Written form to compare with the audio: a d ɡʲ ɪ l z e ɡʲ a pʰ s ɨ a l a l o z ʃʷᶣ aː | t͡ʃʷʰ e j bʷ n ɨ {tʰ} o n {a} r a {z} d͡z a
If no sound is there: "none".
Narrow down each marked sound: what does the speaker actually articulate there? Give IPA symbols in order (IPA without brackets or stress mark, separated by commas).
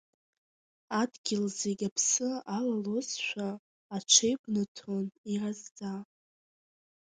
tʰ, i, z